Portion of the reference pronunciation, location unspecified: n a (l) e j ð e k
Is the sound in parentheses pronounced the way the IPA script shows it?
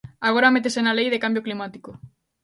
yes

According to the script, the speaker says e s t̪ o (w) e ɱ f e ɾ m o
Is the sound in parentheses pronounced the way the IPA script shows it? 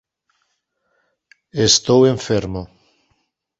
yes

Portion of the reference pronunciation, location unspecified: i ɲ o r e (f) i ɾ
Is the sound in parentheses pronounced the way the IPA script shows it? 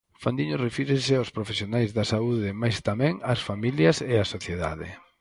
yes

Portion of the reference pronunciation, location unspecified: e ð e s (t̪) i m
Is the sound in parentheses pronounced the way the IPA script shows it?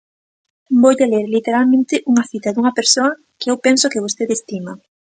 yes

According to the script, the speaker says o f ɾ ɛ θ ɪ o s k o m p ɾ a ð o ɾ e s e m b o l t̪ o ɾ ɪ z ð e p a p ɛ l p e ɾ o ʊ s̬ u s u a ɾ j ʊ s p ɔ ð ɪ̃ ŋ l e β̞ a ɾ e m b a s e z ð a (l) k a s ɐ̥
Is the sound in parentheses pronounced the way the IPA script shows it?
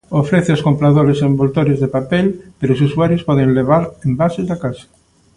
no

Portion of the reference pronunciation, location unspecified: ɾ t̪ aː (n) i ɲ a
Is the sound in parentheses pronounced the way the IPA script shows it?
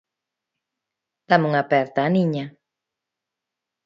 yes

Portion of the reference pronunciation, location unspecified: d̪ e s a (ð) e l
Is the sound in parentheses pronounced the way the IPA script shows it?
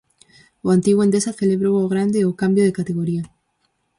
no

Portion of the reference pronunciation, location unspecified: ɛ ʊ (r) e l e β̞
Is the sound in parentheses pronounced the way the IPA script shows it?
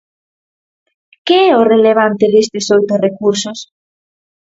yes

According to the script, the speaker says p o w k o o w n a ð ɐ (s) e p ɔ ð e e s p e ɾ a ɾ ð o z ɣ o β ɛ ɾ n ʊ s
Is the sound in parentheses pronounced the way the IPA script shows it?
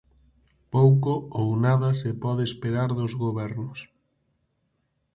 yes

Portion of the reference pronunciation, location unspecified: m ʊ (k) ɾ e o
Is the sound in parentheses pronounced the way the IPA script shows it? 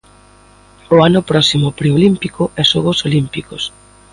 no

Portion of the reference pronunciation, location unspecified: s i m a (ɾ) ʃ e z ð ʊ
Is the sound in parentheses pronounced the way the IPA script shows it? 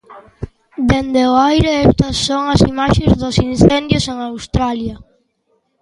no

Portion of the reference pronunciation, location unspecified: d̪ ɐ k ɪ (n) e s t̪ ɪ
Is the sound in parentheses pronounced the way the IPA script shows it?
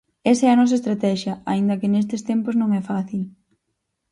yes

